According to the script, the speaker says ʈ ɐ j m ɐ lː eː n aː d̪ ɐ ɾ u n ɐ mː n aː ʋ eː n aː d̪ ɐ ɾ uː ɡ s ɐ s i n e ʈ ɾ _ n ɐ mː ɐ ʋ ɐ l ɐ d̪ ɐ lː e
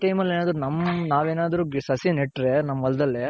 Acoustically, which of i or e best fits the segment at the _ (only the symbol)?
e